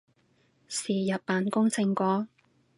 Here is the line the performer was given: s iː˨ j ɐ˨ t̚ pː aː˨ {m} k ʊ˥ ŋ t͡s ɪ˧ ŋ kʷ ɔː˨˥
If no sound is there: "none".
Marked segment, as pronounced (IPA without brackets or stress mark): n